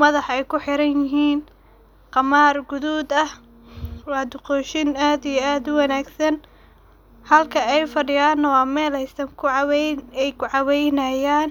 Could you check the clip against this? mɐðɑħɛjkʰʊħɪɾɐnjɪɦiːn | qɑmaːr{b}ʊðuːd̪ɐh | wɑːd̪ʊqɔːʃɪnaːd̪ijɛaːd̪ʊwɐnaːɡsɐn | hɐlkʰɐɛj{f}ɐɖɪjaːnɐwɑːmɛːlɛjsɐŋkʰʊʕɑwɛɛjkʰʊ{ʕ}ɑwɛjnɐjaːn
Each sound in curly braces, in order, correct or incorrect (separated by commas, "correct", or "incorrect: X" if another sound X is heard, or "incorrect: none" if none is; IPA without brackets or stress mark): incorrect: ɡ, correct, correct